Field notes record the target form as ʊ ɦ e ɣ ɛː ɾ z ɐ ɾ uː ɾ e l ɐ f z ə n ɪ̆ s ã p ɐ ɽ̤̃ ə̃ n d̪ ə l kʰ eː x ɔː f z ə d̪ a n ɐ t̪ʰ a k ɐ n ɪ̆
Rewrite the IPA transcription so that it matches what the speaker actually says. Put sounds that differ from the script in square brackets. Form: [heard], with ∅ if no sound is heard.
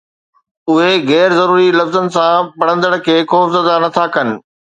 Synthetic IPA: ʊ ɦ e ɣ ɛː ɾ z ɐ ɾ uː ɾ [i] l ɐ f z ə n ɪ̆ s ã p ɐ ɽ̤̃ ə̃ n d̪ ə [ɽ] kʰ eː x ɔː f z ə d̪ a n ɐ t̪ʰ a k ɐ n ɪ̆